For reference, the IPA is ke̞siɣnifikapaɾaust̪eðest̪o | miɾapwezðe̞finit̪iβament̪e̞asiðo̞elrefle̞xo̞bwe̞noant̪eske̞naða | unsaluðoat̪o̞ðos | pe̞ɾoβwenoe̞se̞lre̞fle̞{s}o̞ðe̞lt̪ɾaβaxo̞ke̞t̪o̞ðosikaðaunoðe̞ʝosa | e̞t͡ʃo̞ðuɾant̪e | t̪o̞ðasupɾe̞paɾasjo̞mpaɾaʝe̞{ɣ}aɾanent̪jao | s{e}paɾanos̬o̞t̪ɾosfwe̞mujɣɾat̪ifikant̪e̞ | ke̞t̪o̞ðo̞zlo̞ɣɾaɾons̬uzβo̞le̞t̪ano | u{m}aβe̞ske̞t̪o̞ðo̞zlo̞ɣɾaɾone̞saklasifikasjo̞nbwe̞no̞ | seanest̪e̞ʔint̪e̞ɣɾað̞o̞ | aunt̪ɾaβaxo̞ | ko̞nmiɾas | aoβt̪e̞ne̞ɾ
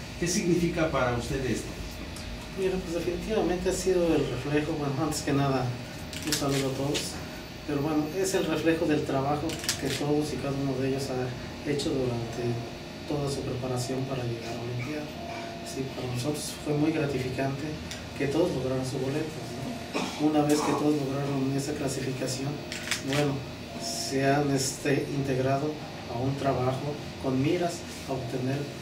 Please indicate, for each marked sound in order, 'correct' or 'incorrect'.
incorrect: x, correct, incorrect: i, incorrect: n

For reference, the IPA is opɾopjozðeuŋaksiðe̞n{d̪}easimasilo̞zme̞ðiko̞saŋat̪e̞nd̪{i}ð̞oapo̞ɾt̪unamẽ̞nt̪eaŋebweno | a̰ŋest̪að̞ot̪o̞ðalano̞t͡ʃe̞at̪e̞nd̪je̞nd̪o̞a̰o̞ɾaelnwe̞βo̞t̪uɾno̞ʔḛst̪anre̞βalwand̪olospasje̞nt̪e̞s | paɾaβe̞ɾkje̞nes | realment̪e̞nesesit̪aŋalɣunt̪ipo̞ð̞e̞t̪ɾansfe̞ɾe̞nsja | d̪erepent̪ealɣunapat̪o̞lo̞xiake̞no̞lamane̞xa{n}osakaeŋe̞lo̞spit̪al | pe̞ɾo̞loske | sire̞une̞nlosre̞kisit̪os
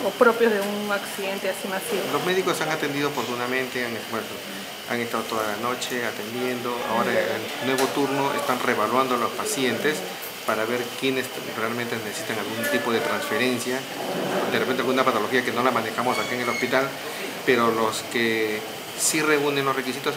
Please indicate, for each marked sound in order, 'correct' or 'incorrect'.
incorrect: t̪, correct, incorrect: m

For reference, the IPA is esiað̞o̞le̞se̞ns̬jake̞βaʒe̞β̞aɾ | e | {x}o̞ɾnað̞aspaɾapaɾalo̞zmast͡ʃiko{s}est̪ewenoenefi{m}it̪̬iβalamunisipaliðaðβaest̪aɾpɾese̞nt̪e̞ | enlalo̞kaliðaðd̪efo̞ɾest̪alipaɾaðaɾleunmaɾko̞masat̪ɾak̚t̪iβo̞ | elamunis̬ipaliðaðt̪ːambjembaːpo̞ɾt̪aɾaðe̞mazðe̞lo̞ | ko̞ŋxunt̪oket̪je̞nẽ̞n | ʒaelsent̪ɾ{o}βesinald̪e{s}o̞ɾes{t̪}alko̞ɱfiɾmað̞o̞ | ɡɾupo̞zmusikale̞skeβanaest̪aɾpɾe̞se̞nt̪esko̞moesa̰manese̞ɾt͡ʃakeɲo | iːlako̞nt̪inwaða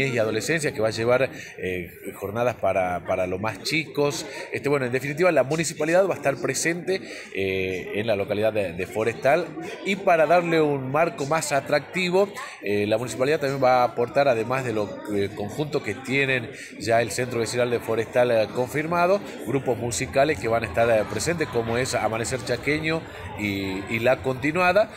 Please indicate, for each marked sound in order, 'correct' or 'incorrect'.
correct, correct, incorrect: n, correct, incorrect: f, correct

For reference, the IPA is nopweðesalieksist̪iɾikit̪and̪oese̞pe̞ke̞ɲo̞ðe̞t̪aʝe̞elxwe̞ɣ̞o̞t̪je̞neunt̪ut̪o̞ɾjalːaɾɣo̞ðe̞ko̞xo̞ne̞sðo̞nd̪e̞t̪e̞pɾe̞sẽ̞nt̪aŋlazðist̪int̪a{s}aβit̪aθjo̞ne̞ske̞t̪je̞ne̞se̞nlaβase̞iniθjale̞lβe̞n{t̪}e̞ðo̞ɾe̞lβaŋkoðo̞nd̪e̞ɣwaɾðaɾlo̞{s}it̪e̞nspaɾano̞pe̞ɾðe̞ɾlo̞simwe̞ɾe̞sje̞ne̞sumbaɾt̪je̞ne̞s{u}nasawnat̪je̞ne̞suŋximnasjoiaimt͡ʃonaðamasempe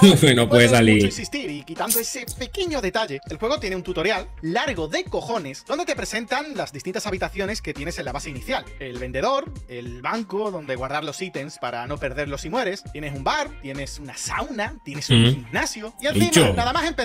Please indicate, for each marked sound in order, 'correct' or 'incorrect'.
correct, incorrect: d̪, correct, correct

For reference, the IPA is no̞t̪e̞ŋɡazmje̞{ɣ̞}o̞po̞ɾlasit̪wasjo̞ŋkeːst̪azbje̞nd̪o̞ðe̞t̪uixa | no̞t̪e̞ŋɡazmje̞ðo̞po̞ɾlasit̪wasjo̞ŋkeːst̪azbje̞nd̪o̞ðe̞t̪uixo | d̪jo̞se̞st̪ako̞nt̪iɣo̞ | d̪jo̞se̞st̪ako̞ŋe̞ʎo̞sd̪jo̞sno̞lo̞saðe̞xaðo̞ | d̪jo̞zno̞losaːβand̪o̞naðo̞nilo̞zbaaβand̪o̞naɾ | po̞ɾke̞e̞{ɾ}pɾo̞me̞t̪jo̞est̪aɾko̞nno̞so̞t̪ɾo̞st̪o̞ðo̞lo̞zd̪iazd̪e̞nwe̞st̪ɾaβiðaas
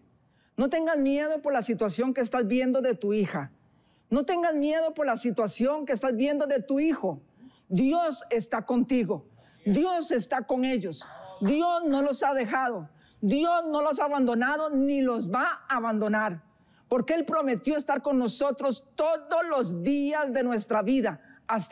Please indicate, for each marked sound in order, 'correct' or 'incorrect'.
incorrect: ð̞, incorrect: l

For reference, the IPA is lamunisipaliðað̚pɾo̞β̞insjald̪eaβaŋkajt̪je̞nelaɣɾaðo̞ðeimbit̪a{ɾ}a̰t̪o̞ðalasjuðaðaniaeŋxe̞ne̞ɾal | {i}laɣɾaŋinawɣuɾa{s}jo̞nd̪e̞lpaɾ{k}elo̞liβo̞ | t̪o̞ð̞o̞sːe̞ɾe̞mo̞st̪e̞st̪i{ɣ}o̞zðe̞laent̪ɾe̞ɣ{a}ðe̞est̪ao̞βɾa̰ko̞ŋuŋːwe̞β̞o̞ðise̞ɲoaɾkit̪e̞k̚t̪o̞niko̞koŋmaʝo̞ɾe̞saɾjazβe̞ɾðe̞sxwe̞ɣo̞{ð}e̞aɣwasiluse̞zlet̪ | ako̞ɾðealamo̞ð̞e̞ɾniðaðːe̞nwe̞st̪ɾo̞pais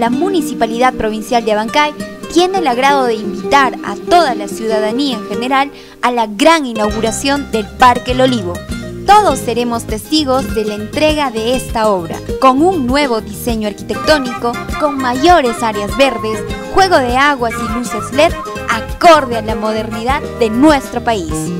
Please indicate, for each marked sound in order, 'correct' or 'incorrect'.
correct, incorrect: a, correct, correct, correct, correct, correct

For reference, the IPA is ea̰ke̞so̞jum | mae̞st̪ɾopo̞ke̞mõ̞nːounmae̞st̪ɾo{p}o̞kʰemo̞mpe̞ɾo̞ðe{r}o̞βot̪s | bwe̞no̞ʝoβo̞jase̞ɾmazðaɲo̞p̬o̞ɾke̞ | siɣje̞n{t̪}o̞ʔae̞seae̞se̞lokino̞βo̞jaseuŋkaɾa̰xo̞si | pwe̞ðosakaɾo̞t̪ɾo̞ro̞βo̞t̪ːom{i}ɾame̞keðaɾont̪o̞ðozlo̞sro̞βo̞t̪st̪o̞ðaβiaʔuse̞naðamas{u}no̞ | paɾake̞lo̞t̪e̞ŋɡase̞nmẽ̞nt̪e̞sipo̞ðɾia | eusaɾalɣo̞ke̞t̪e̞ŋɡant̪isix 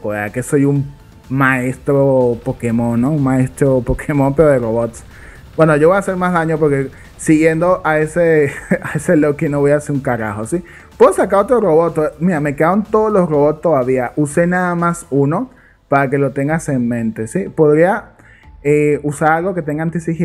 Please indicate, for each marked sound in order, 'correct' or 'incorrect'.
correct, correct, incorrect: d̪, correct, correct

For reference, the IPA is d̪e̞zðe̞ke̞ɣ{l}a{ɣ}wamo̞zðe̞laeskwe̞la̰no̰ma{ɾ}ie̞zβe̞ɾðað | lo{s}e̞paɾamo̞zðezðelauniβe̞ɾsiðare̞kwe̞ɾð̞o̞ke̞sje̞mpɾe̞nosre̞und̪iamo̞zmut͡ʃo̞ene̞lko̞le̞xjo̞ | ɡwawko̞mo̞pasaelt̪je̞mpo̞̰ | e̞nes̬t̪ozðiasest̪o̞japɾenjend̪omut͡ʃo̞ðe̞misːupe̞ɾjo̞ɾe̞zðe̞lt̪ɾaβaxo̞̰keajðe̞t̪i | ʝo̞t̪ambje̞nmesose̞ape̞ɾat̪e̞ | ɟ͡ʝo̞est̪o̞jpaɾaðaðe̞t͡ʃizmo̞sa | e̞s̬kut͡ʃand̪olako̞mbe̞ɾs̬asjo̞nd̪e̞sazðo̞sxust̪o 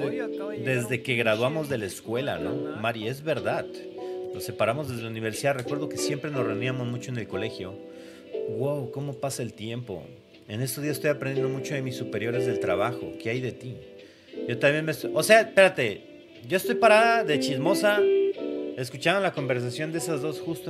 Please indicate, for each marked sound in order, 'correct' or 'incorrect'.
incorrect: ɾ, incorrect: ð, correct, correct

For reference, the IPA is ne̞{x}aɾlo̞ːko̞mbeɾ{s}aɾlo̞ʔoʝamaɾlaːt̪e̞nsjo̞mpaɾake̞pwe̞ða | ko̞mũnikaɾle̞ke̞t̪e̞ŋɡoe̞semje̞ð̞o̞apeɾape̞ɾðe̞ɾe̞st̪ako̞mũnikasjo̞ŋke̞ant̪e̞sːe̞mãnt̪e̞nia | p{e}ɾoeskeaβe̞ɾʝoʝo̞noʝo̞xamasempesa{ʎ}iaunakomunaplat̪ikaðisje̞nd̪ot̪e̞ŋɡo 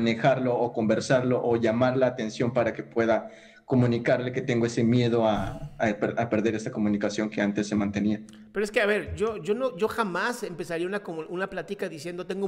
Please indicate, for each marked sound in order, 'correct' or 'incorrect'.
correct, correct, correct, incorrect: ɾ

